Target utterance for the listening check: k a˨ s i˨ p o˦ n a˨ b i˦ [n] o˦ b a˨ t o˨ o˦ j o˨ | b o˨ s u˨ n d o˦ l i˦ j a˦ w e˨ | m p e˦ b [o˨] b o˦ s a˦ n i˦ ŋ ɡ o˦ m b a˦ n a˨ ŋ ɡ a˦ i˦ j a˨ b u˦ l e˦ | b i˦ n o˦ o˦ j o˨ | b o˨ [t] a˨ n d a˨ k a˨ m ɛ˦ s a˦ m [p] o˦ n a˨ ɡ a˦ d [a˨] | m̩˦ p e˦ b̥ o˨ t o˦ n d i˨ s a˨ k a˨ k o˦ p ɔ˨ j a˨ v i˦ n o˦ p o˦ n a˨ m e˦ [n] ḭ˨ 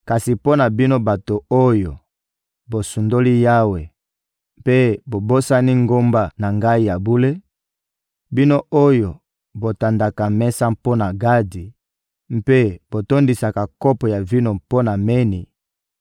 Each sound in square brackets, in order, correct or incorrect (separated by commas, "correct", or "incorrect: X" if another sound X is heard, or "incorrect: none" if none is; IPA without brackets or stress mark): correct, correct, correct, correct, incorrect: i˨, correct